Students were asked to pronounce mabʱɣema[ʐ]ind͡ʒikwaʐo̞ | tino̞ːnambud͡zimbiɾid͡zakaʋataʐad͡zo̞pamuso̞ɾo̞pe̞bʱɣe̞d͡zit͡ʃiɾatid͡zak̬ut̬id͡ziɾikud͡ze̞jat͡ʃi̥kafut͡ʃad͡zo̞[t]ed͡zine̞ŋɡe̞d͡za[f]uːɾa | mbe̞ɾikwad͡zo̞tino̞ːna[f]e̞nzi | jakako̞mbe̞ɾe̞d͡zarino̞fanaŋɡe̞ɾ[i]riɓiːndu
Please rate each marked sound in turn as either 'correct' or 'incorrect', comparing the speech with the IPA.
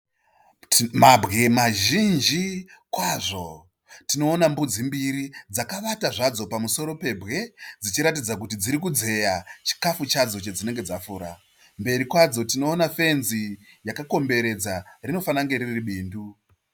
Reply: incorrect: ʒ, incorrect: t͡ʃ, correct, correct, correct

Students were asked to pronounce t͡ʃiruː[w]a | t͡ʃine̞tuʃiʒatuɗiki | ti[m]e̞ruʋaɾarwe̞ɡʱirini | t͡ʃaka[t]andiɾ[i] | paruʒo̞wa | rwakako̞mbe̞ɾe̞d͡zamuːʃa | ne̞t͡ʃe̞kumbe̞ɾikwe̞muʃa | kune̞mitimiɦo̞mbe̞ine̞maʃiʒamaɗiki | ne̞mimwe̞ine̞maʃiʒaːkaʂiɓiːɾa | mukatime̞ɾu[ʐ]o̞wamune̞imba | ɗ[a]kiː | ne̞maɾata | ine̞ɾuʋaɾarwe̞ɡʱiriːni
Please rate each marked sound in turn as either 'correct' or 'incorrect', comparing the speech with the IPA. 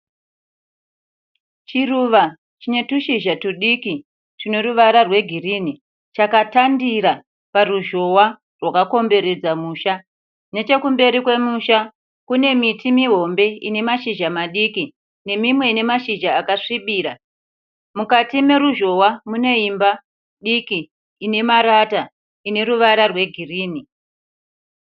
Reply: incorrect: ʋ, incorrect: n, correct, incorrect: a, incorrect: ʒ, incorrect: i

